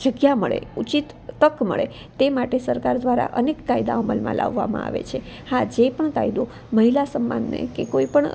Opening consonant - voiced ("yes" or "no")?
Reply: yes